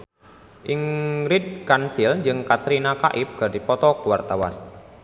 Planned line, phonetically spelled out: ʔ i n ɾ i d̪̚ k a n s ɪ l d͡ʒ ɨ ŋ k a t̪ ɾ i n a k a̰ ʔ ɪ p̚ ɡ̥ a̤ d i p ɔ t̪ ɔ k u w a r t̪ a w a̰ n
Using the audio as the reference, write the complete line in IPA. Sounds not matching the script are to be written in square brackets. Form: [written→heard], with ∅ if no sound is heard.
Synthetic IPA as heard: ʔ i [n→ŋ] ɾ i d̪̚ k a n s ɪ l d͡ʒ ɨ ŋ k a t̪ ɾ i n a k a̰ ʔ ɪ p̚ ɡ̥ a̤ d i p ɔ t̪ ɔ k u w a r t̪ a w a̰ n